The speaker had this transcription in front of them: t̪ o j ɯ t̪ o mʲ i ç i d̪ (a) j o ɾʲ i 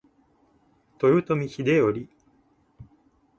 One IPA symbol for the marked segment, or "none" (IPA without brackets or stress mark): e